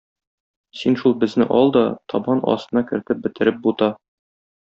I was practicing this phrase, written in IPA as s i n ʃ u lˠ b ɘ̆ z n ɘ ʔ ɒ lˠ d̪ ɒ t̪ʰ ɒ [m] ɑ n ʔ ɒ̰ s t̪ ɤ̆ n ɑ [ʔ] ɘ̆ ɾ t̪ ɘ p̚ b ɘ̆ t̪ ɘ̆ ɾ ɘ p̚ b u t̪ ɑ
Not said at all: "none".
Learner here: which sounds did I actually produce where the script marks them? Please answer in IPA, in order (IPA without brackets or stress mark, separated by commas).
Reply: b, k